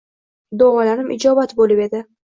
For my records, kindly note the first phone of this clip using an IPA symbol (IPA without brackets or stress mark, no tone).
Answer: d̪